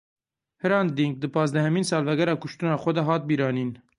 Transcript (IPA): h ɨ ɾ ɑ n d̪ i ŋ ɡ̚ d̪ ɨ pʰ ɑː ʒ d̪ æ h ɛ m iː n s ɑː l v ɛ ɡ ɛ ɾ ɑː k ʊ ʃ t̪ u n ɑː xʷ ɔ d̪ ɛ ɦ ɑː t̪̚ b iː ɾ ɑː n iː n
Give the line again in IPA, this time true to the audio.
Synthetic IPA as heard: h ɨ ɾ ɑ n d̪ i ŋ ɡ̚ d̪ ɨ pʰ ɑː z d̪ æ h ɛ m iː n s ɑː l v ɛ ɡ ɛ ɾ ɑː k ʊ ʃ t̪ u n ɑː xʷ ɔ d̪ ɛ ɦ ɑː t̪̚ b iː ɾ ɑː n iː n